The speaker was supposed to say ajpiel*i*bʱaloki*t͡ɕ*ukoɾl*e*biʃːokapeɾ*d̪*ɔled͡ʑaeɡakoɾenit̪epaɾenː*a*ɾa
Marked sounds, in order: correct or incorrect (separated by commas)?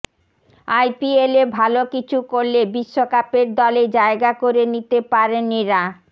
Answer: incorrect, incorrect, correct, correct, incorrect